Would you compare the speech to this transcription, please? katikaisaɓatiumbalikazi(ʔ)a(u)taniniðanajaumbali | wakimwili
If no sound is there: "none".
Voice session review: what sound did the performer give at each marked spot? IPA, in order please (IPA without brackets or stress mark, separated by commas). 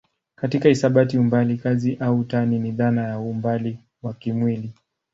ʔ, u